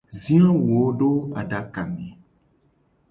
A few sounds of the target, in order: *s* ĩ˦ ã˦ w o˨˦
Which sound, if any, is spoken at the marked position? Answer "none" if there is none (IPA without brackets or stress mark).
z